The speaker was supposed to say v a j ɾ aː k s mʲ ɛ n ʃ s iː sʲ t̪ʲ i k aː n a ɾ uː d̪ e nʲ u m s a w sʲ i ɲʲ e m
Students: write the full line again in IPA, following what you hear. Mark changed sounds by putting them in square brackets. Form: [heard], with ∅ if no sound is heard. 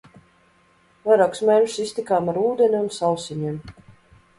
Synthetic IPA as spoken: v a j ɾ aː k s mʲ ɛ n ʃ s [i] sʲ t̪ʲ i k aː [m] a ɾ uː d̪ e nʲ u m s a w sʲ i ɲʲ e m